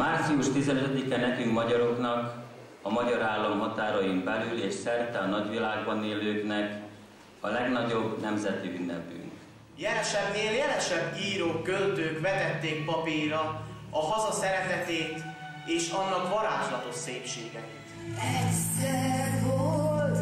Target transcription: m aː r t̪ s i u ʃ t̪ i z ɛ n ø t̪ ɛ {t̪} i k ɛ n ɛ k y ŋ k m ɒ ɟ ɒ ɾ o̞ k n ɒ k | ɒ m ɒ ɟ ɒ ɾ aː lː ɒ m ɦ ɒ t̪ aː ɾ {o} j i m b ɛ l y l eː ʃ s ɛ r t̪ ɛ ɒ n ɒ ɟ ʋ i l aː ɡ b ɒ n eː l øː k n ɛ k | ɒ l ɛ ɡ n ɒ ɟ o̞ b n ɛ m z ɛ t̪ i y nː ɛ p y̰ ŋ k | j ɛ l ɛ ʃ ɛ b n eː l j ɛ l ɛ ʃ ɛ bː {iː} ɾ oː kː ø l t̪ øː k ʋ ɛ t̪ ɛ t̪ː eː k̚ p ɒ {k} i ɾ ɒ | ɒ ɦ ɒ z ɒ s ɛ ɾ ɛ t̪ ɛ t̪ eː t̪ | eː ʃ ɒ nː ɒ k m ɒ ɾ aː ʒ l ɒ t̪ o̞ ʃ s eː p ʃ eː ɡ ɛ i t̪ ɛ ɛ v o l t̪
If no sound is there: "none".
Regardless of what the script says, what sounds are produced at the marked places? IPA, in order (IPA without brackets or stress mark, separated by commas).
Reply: d̪, ɒ, iː, p